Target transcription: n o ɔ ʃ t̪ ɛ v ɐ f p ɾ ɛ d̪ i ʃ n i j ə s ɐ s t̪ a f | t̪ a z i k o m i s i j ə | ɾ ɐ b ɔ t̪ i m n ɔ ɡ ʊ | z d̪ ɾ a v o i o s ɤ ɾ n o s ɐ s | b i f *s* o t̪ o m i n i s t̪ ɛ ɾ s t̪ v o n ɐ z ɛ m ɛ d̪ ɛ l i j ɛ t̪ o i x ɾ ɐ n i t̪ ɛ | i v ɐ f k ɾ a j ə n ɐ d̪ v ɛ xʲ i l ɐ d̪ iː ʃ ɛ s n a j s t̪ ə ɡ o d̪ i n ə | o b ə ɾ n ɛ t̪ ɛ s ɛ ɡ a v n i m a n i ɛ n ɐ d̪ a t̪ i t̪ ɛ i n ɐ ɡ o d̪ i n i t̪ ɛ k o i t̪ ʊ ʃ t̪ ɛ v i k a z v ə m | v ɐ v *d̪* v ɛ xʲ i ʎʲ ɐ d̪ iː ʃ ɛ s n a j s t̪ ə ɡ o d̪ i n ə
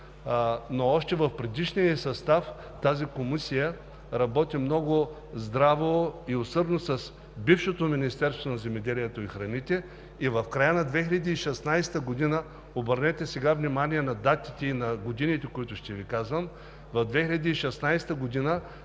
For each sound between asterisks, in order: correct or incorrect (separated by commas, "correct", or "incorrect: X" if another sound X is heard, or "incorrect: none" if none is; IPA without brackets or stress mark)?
incorrect: ʃ, correct